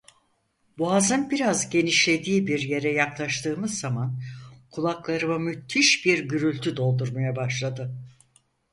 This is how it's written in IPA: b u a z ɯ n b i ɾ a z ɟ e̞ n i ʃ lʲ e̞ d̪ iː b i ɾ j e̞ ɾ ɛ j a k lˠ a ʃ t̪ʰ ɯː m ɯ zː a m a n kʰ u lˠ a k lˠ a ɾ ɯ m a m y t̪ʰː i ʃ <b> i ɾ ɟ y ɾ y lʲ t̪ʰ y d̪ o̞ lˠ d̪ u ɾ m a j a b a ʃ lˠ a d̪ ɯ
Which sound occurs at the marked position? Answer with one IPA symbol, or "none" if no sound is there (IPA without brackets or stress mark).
b